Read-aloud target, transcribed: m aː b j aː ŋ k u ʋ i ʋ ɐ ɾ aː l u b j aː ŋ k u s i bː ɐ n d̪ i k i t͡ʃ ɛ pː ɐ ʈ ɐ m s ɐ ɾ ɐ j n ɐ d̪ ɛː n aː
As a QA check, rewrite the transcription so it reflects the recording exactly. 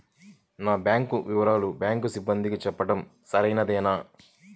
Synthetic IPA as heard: n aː b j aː ŋ k u ʋ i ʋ ɐ ɾ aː l u b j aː ŋ k u s i bː ɐ n d̪ i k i t͡ʃ ɛ pː ɐ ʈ ɐ m s ɐ ɾ ɐ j n ɐ d̪ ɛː n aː